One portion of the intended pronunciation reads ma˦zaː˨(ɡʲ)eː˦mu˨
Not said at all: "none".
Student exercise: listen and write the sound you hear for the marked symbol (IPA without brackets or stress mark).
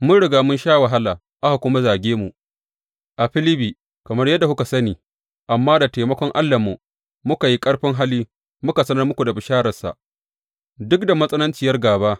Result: ɡʲ